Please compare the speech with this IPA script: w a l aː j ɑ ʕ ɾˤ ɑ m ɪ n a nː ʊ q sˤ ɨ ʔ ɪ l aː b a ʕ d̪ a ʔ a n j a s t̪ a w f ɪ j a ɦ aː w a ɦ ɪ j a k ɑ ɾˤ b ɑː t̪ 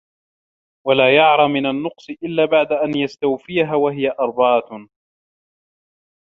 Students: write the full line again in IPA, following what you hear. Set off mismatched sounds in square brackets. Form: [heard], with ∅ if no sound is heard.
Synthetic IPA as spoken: w a l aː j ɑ ʕ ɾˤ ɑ m ɪ n a nː ʊ q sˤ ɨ ʔ ɪ [lː] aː b a ʕ d̪ a ʔ a n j a s t̪ a w f ɪ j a ɦ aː w a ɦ ɪ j a [ʔ] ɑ ɾˤ b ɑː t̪